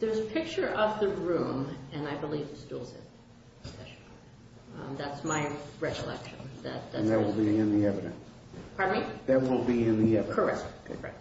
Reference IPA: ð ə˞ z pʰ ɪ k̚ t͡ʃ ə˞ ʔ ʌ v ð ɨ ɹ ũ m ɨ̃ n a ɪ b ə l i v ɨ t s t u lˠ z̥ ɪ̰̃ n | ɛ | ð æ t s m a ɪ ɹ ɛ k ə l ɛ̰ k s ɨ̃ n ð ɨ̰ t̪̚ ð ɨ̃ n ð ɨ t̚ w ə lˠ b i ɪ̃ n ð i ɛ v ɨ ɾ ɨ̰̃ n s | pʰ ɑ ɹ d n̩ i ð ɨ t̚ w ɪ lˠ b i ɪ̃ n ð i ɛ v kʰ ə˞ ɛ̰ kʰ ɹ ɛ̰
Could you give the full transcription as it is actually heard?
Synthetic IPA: ð ə˞ z pʰ ɪ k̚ t͡ʃ ə˞ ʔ ʌ v ð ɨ ɹ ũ m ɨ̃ n a ɪ b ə l i v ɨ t s t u lˠ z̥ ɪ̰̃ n | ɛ | ð æ t s m a ɪ ɹ ɛ k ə l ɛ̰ k ʃ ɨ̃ n ð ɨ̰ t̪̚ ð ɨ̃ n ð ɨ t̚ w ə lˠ b i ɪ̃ n ð i ɛ v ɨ ɾ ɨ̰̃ n s | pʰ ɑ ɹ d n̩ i ð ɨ t̚ w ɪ lˠ b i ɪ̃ n ð i ɛ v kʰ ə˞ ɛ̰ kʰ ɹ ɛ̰

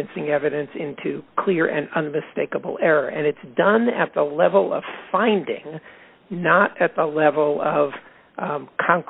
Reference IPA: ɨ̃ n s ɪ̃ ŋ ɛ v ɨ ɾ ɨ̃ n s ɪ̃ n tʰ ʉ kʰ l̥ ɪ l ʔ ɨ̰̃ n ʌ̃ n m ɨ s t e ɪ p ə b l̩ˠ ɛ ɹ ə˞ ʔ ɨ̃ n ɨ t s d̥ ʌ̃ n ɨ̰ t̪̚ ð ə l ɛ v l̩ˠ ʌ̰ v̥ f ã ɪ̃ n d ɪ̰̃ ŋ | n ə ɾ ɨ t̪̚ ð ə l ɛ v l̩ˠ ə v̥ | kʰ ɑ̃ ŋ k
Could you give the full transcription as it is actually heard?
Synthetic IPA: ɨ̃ n s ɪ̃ ŋ ɛ v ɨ ɾ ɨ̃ n s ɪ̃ n tʰ ʉ kʰ l̥ ɪ ɹ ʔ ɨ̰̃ n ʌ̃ n m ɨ s t e ɪ k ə b l̩ˠ ɛ ɹ ə˞ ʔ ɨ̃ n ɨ t s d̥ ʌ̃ n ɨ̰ t̪̚ ð ə l ɛ v l̩ˠ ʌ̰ v̥ f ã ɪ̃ n d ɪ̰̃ ŋ | n ə ɾ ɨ t̪̚ ð ə l ɛ v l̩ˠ ʌ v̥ | kʰ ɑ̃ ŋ k

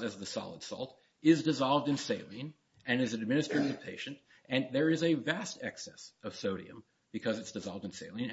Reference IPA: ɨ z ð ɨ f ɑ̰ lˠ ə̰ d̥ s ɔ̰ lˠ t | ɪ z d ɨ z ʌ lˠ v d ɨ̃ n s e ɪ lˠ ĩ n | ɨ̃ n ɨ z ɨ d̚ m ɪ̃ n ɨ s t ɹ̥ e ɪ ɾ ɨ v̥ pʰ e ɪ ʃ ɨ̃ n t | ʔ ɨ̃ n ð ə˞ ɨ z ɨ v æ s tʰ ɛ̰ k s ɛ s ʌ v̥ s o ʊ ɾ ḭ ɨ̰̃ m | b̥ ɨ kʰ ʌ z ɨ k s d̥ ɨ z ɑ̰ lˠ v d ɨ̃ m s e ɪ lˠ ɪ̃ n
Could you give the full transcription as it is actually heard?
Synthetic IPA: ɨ z ð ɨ s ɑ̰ lˠ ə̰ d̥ s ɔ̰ lˠ t | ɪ z d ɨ z ɑ lˠ v d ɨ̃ n s e ɪ lˠ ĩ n | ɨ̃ n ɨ z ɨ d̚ m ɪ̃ n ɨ s t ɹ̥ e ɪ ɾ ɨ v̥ pʰ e ɪ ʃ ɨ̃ n t | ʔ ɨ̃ n ð ə˞ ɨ z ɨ v æ s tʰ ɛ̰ k s ɛ s ʌ v̥ s o ʊ ɾ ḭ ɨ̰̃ m | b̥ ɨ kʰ ʌ z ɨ t s d̥ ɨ z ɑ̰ lˠ v d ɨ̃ n s e ɪ lˠ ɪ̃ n

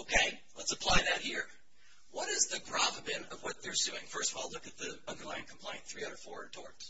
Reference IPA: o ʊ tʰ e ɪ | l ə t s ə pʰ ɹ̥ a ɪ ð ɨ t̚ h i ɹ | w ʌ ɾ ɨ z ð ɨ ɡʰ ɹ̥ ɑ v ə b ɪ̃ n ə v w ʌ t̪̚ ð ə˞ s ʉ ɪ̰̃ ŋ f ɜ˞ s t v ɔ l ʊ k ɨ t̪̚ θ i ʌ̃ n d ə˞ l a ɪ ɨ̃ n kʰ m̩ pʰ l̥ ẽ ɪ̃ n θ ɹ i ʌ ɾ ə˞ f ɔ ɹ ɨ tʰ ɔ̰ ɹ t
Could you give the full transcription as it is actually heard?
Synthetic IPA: o ʊ kʰ e ɪ | l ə t s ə pʰ l̥ a ɪ ð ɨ t̚ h i ɹ | w ʌ ɾ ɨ z ð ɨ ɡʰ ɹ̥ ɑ v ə b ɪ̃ n ʌ v w ʌ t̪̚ ð ə˞ s ʉ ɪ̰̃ ŋ f ɜ˞ s t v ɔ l ʊ k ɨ t̪̚ ð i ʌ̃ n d ə˞ l a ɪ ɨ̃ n kʰ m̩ pʰ l̥ ẽ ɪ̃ n θ ɹ i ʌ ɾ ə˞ f ɔ ɹ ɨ tʰ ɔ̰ ɹ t

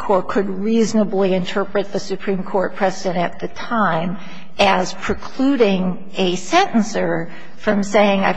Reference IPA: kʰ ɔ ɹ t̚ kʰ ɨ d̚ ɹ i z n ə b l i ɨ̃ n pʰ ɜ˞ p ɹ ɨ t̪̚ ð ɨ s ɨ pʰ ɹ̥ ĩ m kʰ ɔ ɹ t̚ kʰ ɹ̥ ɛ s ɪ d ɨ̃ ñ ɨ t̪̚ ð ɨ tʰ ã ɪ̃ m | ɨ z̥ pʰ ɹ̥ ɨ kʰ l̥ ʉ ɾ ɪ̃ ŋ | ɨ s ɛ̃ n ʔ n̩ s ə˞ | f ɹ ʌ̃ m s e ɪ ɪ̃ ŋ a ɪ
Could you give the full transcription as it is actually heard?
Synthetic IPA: kʰ ɔ ɹ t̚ kʰ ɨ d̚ ɹ i z n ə b l i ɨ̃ n tʰ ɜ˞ p ɹ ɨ t̪̚ ð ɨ s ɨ pʰ ɹ̥ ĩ m kʰ ɔ ɹ t̚ pʰ ɹ̥ ɛ z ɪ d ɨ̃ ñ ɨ t̪̚ ð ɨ tʰ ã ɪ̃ m | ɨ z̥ pʰ ɹ̥ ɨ kʰ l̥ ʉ ɾ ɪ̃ ŋ | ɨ s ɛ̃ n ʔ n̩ s ə˞ | f ɹ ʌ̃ m s e ɪ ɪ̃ ŋ a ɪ

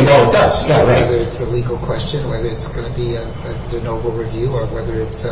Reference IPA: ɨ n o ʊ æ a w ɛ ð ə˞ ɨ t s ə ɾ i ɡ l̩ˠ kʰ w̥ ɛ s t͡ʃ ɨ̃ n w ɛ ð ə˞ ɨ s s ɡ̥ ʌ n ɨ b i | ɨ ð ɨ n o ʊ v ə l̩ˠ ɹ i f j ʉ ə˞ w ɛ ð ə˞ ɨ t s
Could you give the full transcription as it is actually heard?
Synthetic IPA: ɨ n o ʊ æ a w ɛ ð ə˞ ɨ t s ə l i ɡ l̩ˠ kʰ w̥ ɛ s t͡ʃ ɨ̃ n w ɛ ð ə˞ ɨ t s ɡ̥ ʌ n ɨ b i | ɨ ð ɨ n o ʊ v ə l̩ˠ ɹ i v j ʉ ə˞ w ɛ ð ə˞ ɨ t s

